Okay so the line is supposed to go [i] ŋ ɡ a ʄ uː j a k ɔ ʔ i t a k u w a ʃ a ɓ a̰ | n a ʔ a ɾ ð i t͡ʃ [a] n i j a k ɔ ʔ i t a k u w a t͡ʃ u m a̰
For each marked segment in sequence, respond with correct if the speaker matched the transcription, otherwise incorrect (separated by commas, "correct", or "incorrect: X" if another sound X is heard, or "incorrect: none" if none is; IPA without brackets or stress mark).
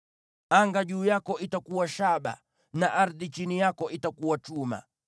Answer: incorrect: a, incorrect: i